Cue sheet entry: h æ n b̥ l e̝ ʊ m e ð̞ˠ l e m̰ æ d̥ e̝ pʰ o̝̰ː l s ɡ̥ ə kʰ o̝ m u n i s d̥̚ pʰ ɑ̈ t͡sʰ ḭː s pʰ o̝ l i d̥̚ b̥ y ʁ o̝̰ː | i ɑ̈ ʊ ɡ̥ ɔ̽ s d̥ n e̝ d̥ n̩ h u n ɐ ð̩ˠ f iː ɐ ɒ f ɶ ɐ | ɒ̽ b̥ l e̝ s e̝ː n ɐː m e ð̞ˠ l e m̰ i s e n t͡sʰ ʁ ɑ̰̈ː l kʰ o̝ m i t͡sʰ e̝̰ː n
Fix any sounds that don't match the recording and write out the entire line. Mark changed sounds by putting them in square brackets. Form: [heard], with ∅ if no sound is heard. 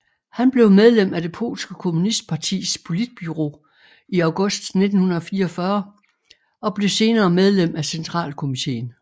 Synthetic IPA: h æ n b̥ l e̝ ʊ m e ð̞ˠ l e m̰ æ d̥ e̝ pʰ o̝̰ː l s ɡ̥ ə kʰ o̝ m u n i s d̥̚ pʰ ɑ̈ t͡sʰ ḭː s pʰ o̝ l i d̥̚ b̥ y ʁ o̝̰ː | i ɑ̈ ʊ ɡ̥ ɔ̽ s d̥ n e̝ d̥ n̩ h u n ɐ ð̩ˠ f iː ɐ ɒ f ɶ ɐ | ɒ̽ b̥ l e̝ s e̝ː n ɐː m e ð̞ˠ l e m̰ [æ] s e n t͡sʰ ʁ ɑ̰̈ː l kʰ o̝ m i t͡sʰ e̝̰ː n